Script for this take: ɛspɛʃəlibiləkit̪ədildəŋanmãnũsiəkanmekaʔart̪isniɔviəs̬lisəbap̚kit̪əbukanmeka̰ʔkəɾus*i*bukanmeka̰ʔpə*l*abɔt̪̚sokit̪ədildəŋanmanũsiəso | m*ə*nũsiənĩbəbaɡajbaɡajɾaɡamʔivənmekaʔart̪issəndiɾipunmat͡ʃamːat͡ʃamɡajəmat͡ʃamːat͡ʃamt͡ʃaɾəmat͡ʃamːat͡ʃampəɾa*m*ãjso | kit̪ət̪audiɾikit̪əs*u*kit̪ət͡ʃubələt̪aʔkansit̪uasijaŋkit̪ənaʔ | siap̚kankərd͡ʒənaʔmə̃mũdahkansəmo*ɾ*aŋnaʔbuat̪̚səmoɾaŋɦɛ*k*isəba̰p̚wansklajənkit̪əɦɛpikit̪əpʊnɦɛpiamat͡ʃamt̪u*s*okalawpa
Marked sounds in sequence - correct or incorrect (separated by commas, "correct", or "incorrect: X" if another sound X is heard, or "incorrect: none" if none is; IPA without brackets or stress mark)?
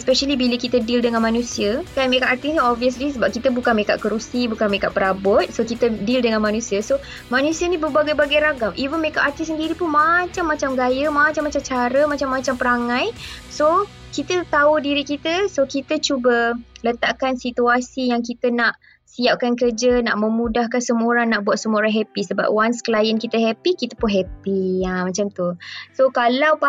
correct, incorrect: ɾ, incorrect: a, incorrect: ŋ, incorrect: o, correct, incorrect: p, correct